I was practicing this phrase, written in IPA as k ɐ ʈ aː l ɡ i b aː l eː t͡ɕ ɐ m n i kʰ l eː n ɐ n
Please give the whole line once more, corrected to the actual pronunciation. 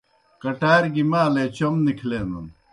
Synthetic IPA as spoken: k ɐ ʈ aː ɾ ɡ i m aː l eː t͡ɕ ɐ m n i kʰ l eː n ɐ n

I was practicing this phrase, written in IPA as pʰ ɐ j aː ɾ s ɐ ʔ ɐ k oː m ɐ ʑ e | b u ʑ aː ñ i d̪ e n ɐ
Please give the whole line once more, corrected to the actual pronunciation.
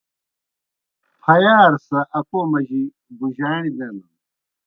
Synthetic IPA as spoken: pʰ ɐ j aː ɾ s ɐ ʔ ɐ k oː m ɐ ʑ i | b u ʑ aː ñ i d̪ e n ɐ

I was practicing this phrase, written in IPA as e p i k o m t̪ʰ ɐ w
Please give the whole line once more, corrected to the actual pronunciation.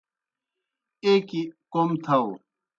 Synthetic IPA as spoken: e k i k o m t̪ʰ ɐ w

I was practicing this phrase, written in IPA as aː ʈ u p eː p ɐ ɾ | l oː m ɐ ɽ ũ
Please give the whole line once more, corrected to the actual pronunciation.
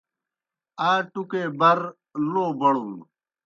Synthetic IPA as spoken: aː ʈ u k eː b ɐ ɾ | l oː b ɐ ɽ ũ

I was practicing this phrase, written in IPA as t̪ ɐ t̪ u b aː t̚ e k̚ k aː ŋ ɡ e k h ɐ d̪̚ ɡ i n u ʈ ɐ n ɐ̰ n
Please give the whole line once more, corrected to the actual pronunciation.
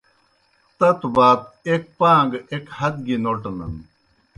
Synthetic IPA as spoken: t̪ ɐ t̪ u b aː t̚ e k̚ p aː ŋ ɡ e k h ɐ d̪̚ ɡ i n o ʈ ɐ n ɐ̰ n

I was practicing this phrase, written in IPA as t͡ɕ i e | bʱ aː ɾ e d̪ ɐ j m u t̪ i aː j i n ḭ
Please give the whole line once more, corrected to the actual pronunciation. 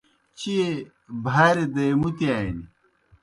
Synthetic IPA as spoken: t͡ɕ i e | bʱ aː ɾ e d̪ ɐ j m u t̪ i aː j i n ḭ

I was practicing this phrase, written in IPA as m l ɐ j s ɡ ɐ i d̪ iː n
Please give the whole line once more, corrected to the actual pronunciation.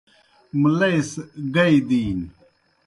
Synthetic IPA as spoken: m l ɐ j s ɡ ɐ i d̪ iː n

